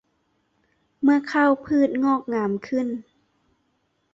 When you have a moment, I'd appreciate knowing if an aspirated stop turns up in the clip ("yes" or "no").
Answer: yes